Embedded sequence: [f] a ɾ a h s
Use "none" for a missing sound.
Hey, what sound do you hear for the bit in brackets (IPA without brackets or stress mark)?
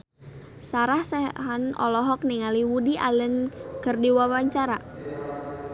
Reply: s